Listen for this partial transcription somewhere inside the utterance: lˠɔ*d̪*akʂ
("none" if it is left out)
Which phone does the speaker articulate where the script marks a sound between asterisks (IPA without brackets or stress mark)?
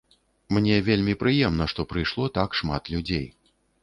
t̪